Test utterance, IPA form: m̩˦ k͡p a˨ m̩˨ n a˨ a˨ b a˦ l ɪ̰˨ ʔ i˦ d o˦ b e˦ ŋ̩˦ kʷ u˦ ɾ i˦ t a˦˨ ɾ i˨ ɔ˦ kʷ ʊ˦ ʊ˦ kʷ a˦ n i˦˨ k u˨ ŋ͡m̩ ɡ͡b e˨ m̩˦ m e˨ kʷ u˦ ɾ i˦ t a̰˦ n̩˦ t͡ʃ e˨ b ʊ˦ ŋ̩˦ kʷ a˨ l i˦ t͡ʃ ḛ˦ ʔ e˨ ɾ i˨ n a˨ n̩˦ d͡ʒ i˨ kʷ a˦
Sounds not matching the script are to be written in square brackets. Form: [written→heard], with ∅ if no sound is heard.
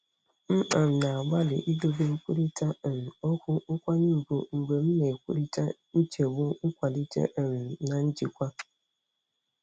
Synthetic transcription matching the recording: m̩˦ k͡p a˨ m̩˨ n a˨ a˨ [b→ɡ͡b] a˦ l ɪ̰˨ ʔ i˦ d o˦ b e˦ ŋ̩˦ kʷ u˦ ɾ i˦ t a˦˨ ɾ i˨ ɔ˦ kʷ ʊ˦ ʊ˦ kʷ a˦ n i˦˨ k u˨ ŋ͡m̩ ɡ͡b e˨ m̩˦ [m→n] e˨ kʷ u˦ ɾ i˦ t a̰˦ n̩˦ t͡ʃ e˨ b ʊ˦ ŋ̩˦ kʷ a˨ l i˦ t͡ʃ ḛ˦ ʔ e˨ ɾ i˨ n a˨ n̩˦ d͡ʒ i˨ kʷ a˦